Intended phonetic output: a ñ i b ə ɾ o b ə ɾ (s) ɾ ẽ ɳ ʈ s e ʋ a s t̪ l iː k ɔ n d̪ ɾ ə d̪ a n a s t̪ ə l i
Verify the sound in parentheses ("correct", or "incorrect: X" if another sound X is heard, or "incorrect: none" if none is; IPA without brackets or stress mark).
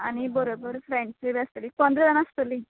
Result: incorrect: f